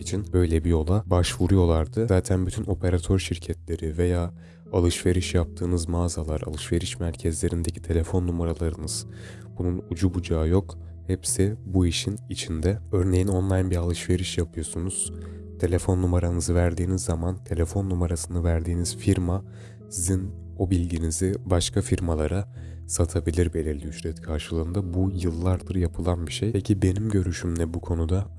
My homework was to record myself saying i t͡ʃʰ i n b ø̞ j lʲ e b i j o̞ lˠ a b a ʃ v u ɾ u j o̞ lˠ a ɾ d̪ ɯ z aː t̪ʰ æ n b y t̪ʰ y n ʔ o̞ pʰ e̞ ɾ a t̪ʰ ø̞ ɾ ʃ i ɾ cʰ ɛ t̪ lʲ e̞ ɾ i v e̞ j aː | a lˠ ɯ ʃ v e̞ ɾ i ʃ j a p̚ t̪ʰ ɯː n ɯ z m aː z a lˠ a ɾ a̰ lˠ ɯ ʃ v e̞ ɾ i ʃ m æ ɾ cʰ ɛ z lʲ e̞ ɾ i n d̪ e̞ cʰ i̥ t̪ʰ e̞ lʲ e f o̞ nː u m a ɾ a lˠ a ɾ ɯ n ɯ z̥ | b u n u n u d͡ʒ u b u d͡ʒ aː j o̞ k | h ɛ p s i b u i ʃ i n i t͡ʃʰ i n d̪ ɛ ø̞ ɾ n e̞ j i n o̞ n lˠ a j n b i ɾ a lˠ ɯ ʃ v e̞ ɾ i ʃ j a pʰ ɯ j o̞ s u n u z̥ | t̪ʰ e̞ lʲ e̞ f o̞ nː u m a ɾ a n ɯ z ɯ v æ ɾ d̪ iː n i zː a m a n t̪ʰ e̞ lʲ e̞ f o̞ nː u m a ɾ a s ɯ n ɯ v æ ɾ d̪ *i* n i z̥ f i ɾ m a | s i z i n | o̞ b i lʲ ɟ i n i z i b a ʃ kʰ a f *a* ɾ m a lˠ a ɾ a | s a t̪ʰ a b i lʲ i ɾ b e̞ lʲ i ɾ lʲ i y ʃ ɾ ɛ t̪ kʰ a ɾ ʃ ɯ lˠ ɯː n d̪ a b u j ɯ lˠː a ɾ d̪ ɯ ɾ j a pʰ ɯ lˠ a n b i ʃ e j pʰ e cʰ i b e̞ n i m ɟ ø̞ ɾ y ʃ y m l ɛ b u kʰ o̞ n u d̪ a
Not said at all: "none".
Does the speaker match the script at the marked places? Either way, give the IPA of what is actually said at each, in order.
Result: iː, i

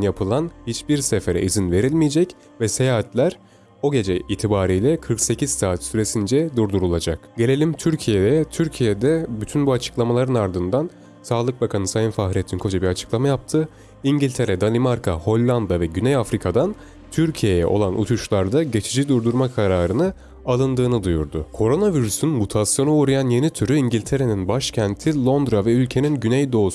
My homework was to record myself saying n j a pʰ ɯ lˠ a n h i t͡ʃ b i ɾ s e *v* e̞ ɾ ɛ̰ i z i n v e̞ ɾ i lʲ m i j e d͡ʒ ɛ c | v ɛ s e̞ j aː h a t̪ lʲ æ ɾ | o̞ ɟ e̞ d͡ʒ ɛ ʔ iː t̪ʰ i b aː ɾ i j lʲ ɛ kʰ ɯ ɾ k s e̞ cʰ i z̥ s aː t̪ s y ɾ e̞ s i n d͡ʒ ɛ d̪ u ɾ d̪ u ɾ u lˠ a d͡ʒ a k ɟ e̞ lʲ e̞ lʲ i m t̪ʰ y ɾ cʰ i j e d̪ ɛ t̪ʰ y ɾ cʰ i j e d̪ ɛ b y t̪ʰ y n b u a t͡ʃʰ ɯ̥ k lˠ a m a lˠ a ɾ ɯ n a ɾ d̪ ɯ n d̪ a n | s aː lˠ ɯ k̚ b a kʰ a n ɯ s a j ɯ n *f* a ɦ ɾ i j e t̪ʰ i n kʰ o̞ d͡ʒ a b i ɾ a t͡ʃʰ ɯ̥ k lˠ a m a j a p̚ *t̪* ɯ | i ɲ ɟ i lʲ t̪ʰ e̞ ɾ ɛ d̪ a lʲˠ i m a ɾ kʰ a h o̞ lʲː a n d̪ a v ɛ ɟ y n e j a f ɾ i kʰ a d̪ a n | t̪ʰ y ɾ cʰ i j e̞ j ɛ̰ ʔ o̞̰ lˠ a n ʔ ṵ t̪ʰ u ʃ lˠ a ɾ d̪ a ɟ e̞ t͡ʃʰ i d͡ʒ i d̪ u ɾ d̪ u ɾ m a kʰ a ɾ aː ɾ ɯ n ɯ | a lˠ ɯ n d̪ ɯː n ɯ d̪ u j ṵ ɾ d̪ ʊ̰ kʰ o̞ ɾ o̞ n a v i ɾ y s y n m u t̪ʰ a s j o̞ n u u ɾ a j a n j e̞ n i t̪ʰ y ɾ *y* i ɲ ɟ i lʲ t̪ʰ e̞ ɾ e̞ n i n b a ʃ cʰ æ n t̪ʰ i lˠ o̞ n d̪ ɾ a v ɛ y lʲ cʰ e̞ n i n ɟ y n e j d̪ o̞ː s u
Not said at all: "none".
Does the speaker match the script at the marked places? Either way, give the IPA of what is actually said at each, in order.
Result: f, f, t̪ʰ, y

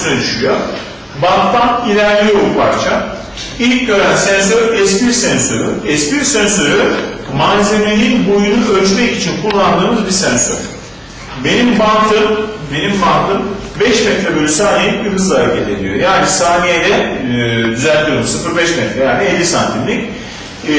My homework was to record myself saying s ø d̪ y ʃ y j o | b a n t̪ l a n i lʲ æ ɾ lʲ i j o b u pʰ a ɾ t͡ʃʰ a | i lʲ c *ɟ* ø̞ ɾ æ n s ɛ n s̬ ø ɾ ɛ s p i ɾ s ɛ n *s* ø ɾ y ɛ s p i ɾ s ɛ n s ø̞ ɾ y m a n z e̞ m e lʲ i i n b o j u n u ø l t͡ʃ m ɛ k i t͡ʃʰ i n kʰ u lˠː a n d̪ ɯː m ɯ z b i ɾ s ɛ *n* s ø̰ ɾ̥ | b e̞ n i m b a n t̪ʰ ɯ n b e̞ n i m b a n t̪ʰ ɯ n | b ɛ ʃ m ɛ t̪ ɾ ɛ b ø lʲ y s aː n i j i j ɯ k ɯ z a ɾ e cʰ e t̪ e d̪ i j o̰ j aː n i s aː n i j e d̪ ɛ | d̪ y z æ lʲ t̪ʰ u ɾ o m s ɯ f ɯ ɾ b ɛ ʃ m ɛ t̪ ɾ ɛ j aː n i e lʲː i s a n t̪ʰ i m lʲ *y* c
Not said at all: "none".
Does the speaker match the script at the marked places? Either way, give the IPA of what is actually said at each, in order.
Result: ɟ, s, n, i

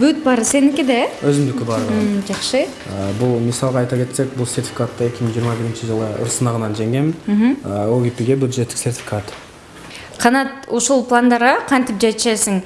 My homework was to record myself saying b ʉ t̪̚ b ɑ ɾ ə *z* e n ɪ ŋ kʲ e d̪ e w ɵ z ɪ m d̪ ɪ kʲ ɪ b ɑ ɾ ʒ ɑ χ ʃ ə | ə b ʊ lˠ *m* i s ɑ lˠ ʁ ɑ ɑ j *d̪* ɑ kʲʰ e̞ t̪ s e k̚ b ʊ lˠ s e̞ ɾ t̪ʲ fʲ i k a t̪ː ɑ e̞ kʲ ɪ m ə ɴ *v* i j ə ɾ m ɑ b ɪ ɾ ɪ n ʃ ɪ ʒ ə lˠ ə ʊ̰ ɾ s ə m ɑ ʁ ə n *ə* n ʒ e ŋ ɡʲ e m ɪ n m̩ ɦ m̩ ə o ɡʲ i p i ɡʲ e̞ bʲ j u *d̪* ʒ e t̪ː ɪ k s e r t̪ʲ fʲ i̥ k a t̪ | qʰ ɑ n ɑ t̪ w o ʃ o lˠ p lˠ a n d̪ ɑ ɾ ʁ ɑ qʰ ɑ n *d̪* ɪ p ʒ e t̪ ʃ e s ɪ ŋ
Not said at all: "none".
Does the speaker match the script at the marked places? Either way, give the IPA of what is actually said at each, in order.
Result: s, m, t̪, ʒ, ɑ, d̪, t̪

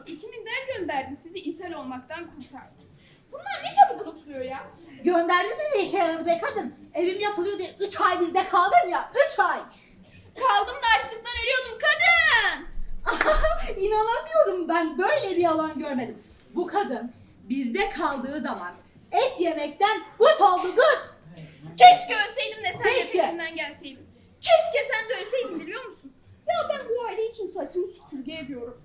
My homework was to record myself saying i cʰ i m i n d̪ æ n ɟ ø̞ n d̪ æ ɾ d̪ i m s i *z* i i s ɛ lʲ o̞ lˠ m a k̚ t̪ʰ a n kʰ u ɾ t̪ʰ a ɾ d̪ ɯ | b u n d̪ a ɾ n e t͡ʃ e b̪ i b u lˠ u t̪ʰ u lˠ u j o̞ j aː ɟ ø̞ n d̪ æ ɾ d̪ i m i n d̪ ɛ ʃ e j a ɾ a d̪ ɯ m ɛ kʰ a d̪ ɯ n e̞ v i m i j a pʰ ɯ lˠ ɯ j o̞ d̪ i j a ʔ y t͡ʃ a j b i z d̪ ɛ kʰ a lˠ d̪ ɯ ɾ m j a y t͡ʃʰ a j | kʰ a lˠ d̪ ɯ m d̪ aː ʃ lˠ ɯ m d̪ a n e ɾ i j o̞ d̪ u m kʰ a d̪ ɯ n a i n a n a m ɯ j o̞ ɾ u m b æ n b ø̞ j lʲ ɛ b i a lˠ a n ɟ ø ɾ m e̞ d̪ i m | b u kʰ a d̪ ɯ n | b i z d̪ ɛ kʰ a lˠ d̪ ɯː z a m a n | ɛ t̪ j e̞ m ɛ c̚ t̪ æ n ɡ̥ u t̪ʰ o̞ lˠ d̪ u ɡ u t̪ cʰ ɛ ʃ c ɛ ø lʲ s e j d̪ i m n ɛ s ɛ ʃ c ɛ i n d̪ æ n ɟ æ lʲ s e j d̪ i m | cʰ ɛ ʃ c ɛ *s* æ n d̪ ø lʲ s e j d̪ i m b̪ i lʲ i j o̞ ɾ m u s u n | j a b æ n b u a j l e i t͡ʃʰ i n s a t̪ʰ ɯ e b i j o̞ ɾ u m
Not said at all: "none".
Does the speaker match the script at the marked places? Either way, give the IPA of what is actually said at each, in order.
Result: z, s

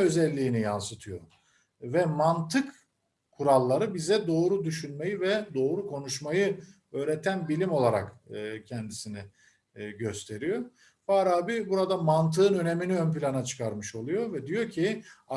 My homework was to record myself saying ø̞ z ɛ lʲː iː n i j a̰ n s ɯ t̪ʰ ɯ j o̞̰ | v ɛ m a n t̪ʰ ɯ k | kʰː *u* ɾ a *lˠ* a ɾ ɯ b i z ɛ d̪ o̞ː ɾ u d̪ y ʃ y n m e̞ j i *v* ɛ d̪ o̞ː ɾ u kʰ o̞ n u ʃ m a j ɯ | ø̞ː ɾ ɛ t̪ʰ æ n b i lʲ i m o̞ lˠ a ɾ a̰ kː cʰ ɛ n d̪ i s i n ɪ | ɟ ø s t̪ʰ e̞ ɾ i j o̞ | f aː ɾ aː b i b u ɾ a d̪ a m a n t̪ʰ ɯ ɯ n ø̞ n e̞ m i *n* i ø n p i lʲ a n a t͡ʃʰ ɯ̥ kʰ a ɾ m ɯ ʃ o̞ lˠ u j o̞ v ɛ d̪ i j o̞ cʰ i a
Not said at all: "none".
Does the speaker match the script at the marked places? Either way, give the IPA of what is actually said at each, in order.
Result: u, lˠː, v, n

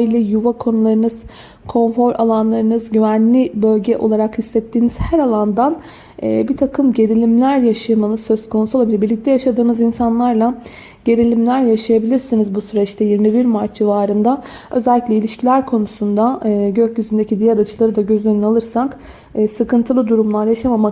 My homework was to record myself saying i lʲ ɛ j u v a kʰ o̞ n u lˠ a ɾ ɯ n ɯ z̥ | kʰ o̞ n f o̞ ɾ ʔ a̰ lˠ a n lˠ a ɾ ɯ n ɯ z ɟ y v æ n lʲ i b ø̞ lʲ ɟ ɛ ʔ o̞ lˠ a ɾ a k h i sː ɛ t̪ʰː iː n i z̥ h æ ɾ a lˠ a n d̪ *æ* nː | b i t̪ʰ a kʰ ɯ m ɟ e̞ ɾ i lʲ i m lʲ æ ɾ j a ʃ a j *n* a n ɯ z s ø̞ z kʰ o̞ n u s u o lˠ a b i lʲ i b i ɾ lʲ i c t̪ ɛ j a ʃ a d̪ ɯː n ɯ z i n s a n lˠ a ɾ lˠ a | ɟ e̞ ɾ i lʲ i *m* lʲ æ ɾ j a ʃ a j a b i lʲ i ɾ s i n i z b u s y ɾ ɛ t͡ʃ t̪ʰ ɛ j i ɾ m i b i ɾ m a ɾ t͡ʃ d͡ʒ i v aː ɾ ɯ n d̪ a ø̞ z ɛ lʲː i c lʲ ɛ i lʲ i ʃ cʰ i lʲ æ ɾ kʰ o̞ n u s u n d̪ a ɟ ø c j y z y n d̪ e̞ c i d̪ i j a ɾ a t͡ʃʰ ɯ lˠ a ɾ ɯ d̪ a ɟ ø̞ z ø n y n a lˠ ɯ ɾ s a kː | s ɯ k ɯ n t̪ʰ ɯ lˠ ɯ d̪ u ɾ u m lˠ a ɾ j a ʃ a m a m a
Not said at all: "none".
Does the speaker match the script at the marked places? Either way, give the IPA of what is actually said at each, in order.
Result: a, m, m

